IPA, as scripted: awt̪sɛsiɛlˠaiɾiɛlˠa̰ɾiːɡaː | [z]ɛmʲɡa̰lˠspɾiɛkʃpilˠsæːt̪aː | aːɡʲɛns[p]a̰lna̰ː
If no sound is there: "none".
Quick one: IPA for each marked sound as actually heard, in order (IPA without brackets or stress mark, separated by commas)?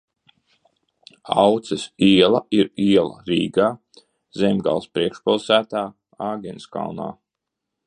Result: z, k